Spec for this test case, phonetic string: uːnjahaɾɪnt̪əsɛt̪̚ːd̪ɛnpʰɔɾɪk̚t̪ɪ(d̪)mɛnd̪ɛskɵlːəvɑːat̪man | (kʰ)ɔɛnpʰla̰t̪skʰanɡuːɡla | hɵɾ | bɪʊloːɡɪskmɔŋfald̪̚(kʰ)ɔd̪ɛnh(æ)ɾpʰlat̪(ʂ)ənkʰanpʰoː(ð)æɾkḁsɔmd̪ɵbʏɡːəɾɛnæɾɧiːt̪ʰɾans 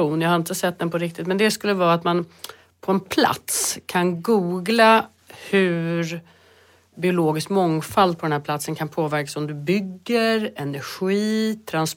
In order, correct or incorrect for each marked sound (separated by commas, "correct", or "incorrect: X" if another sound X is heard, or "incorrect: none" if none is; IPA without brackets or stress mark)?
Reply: incorrect: t̪, incorrect: pʰ, incorrect: pʰ, correct, incorrect: s, incorrect: v